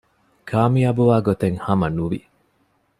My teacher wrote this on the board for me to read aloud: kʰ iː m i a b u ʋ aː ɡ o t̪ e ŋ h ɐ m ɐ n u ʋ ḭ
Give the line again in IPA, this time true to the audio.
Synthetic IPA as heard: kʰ aː m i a b u ʋ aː ɡ o t̪ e ŋ h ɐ m ɐ n u ʋ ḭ